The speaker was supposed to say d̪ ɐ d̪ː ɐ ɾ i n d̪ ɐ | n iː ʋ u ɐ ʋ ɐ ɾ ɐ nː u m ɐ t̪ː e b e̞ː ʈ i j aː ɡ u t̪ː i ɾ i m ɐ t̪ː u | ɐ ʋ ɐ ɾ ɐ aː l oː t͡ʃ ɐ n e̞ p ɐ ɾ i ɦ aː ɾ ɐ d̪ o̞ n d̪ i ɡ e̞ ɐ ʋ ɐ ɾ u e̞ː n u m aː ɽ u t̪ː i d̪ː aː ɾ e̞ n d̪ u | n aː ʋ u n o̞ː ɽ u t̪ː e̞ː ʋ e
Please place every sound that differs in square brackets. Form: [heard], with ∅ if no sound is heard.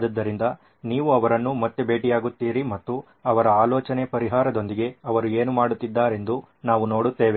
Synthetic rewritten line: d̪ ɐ d̪ː ɐ ɾ i n d̪ ɐ | n iː ʋ u ɐ ʋ ɐ ɾ ɐ nː u m ɐ t̪ː e b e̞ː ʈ i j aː ɡ u t̪ː [iː] ɾ i m ɐ t̪ː u | ɐ ʋ ɐ ɾ ɐ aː l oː t͡ʃ ɐ n e̞ p ɐ ɾ i ɦ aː ɾ ɐ d̪ o̞ n d̪ i ɡ e̞ ɐ ʋ ɐ ɾ u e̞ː n u m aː ɽ u t̪ː i d̪ː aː ɾ e̞ n d̪ u | n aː ʋ u n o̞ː ɽ u t̪ː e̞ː ʋ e